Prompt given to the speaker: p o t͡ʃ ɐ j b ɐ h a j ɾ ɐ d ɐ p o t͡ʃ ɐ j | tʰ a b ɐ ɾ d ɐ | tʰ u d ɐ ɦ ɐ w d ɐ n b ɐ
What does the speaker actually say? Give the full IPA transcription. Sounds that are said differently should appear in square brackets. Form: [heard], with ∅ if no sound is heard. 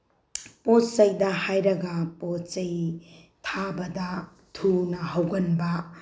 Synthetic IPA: p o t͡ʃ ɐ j [d] ɐ h a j ɾ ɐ [ɡ] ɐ p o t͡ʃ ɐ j | tʰ a b ɐ [∅] d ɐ | tʰ u [n] ɐ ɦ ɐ w [ɡ] ɐ n b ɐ